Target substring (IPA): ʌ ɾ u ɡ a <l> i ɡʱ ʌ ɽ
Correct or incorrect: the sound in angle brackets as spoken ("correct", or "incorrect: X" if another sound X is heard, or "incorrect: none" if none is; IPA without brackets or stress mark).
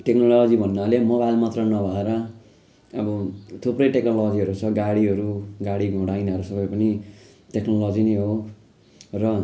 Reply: incorrect: ɽ